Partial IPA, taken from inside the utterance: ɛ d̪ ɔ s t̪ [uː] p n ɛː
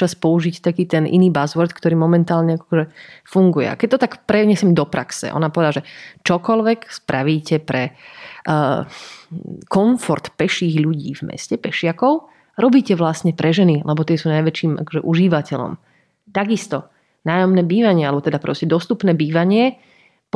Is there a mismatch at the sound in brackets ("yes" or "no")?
yes